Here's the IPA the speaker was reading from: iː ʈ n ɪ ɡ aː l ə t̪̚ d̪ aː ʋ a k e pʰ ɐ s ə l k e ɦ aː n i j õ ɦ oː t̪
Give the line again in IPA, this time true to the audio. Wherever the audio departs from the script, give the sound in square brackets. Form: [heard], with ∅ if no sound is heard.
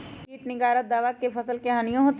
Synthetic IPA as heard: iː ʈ n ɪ ɡ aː [ɾ] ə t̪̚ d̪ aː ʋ a k e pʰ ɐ s ə l k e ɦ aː n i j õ ɦ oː t̪